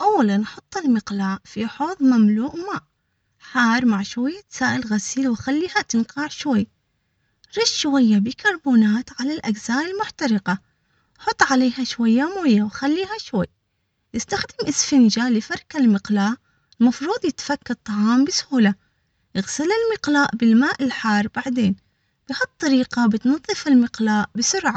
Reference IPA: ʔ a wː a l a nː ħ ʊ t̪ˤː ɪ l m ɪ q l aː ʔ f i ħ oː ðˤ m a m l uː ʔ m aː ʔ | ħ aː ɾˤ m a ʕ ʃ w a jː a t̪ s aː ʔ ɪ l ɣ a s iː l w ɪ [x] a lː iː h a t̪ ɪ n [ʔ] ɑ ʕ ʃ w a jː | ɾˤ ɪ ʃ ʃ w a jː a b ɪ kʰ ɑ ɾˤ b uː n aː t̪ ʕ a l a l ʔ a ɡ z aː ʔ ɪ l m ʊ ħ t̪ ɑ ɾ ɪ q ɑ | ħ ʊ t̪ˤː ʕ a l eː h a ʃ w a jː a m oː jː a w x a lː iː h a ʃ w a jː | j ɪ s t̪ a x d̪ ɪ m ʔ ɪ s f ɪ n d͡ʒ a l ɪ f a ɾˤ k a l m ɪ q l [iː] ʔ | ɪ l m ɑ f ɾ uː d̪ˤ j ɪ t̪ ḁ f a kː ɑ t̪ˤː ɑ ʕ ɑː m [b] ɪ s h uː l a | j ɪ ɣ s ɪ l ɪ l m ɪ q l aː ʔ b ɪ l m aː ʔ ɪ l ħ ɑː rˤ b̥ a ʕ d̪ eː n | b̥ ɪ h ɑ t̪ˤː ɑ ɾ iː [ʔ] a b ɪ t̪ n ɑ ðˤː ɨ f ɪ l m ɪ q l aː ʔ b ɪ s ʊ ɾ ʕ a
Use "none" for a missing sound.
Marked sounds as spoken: x, q, aː, b, q

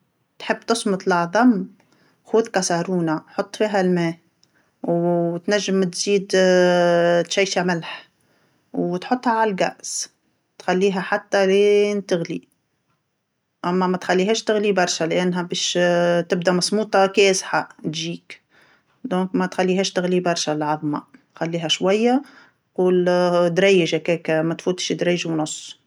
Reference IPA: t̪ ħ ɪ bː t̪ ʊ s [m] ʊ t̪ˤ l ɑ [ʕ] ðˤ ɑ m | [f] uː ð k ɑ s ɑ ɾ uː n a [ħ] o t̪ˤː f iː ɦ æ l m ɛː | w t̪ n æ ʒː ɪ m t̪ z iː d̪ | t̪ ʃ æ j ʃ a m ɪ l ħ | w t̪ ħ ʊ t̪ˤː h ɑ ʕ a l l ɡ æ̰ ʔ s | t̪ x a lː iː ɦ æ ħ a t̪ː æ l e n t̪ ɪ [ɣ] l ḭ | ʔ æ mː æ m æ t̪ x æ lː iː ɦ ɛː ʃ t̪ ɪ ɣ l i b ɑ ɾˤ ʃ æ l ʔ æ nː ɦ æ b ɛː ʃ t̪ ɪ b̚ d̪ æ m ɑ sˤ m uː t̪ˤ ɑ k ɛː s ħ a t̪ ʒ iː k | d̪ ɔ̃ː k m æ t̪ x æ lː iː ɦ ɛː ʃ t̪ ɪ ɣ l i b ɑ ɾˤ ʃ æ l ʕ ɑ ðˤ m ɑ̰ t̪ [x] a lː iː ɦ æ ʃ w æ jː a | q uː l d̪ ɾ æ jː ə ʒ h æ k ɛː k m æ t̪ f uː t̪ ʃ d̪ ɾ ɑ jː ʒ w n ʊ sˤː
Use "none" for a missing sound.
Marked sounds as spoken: m, ʕ, x, ħ, ɣ, x

